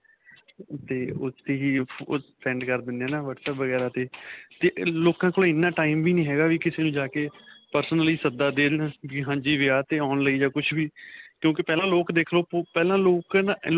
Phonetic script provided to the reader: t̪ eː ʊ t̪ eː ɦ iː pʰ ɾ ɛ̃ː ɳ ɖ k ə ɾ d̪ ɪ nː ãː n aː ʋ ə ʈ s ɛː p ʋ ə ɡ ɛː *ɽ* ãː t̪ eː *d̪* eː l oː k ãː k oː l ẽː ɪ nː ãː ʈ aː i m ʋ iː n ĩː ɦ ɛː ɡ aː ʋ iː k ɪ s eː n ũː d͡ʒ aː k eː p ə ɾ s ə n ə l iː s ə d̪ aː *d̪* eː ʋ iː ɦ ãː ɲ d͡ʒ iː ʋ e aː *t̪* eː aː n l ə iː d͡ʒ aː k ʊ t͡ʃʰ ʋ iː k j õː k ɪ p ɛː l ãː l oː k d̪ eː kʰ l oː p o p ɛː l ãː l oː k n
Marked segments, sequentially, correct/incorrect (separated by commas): incorrect, incorrect, correct, correct